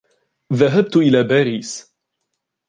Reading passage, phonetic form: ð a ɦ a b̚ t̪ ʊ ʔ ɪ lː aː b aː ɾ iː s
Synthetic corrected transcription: ð a ɦ a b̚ t̪ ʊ ʔ ɪ l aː b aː ɾ iː s